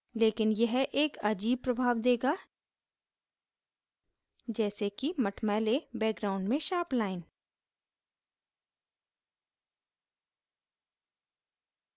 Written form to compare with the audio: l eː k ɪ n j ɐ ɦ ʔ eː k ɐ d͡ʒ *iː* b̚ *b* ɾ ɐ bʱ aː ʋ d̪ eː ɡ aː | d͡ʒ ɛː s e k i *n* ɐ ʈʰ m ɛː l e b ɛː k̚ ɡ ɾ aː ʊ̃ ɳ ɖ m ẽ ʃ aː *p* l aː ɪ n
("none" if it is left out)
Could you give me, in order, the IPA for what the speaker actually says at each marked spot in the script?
iː, p, m, p

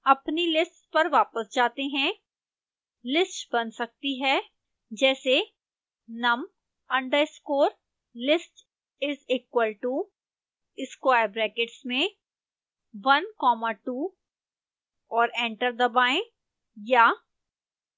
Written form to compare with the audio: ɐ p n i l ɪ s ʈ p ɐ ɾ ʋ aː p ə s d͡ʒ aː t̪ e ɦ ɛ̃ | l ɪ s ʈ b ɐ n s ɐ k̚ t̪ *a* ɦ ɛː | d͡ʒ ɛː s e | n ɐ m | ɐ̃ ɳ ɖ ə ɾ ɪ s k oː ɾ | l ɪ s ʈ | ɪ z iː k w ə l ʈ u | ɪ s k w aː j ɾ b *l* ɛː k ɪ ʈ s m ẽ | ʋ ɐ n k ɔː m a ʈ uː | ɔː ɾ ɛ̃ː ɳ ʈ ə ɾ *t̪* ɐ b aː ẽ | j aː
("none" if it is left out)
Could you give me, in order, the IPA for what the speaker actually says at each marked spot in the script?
i, ɾ, d̪

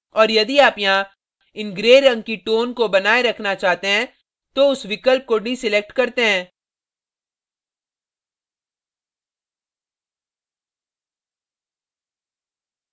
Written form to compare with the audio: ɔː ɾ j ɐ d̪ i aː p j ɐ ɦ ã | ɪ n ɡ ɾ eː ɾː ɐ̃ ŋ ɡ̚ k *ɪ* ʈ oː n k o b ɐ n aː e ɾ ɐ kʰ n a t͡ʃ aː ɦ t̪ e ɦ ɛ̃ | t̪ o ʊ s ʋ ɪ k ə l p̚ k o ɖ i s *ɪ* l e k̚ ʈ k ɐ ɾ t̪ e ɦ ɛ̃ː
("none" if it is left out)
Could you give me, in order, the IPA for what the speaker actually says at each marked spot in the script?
i, ɪ

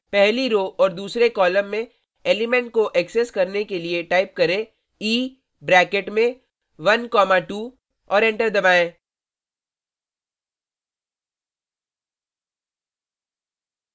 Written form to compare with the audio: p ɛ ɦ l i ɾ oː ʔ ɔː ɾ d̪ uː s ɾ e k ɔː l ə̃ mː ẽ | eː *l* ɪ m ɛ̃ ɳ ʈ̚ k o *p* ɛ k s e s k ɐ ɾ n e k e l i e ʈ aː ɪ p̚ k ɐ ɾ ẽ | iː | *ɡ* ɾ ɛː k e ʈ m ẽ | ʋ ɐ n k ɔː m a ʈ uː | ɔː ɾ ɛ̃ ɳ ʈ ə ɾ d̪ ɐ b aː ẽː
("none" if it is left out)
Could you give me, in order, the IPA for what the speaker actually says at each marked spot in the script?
l, ʔ, b

